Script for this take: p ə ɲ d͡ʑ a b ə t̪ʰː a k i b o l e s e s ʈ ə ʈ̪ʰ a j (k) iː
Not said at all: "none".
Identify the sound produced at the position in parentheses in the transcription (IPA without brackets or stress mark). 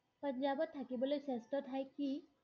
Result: k